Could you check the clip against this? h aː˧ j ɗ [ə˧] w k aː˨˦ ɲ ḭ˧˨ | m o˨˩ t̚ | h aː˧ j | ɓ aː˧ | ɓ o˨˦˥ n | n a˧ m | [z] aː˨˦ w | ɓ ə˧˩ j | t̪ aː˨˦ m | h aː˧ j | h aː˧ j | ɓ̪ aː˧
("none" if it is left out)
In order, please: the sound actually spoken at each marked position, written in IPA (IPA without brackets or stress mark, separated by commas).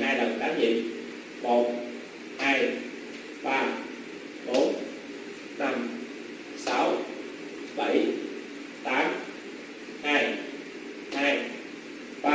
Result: ə˨˩, s